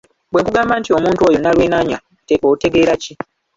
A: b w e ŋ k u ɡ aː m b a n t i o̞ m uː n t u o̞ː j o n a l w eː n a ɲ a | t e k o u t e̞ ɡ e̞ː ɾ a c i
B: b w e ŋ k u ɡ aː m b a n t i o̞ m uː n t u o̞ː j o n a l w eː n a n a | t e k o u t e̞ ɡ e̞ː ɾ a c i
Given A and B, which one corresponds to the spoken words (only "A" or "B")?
A